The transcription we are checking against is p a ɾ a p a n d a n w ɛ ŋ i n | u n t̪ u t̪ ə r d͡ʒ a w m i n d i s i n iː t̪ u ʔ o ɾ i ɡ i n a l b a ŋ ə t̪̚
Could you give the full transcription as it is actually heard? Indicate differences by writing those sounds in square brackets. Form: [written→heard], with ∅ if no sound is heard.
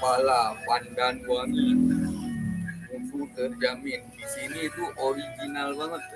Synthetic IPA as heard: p a [ɾ→l] a p a n d a n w [ɛ→a] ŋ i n | u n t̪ u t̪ ə r d͡ʒ a [w→∅] m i n d i s i n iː t̪ u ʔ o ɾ i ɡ i n a l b a ŋ ə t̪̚